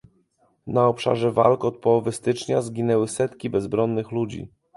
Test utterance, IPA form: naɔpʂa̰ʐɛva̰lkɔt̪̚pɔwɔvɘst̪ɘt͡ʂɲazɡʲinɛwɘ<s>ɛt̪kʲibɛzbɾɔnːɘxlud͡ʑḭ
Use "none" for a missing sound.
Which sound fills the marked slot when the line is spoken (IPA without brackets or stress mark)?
s